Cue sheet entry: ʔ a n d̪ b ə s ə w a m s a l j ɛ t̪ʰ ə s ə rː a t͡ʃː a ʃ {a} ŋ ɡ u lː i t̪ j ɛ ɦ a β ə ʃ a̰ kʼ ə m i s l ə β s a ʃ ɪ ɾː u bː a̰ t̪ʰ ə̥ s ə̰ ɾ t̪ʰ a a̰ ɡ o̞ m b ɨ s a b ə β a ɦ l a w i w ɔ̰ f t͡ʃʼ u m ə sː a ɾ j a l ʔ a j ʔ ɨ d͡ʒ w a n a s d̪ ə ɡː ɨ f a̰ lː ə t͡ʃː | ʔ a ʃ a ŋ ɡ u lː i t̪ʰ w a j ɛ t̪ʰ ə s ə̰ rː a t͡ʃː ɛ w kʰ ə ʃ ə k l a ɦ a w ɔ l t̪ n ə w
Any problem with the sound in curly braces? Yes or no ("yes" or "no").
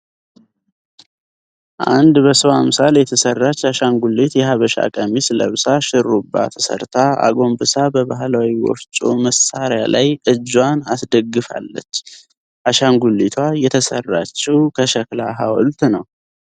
no